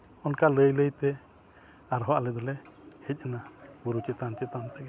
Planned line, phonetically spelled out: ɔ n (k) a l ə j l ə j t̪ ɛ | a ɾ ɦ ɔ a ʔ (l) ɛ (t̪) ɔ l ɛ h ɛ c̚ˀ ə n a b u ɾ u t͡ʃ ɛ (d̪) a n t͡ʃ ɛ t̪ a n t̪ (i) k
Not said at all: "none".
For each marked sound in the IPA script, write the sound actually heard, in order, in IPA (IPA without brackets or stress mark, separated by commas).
k, l, d̪, t̪, ɛ